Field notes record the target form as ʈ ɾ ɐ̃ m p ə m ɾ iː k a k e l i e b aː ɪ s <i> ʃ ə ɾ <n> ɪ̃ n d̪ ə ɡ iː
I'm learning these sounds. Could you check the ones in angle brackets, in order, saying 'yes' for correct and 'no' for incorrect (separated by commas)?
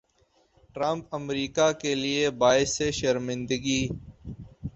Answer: no, no